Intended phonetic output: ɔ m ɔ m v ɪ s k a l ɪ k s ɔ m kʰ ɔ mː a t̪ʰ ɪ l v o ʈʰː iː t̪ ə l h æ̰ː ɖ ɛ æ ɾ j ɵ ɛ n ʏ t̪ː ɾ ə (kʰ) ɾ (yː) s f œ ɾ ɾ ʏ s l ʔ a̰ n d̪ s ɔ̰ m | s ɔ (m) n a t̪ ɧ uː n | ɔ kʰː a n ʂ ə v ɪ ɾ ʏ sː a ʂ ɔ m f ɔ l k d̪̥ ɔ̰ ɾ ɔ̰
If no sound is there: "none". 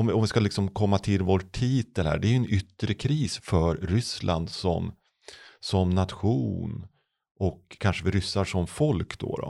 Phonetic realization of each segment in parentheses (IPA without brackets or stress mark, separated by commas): kʰ, iː, m